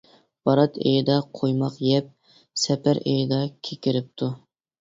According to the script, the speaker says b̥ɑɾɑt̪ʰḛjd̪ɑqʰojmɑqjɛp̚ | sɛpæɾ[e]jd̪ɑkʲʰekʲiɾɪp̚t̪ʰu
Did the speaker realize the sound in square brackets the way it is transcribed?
yes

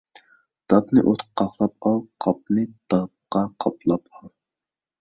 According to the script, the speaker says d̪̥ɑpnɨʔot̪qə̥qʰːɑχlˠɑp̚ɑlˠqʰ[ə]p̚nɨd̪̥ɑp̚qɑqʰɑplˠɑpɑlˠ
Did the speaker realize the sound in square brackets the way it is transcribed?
no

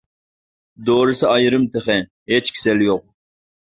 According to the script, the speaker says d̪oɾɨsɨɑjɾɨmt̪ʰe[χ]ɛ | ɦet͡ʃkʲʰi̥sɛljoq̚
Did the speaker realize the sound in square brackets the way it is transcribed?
yes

